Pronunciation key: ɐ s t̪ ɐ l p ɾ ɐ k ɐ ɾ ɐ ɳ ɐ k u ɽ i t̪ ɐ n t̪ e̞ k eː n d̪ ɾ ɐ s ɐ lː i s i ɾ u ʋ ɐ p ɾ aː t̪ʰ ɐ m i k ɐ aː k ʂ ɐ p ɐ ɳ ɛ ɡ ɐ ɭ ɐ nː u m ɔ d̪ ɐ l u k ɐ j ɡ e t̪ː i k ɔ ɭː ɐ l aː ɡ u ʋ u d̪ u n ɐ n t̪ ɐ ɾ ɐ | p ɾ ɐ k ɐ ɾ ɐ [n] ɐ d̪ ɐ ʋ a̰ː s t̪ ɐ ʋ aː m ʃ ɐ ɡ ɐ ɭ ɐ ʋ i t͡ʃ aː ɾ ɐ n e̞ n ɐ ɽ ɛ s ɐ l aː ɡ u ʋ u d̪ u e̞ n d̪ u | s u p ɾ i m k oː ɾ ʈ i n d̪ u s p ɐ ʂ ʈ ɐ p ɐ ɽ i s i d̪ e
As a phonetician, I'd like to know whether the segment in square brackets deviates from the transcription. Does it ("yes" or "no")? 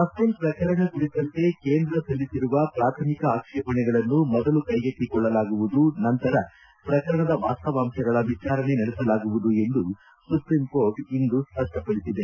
yes